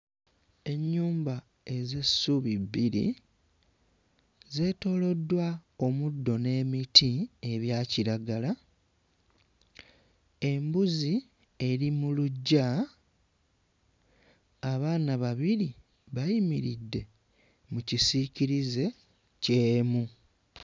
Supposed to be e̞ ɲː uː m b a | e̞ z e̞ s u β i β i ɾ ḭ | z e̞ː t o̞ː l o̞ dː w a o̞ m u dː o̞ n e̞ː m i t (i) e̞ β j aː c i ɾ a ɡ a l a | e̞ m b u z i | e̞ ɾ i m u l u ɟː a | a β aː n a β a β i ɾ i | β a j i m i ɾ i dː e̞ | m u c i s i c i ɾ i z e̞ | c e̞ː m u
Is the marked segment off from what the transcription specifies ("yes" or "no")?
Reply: no